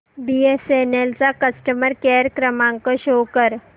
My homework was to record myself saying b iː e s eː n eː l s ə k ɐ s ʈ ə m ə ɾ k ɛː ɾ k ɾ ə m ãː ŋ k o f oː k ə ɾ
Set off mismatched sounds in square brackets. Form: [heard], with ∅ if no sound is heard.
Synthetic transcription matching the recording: b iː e s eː n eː l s [a] k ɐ s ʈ ə m ə ɾ k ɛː ɾ k ɾ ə m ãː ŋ k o [ʃ] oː k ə ɾ